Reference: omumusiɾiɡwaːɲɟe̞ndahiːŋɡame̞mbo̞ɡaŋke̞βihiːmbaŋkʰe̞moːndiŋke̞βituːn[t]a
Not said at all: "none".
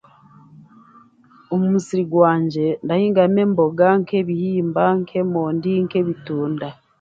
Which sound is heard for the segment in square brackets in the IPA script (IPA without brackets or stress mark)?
d